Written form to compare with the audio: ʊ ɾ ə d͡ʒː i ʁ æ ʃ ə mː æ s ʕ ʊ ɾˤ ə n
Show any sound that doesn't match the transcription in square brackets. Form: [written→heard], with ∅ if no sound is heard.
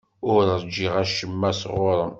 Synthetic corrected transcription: ʊ ɾ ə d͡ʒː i ʁ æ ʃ ə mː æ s [ʕ→ʁ] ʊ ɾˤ ə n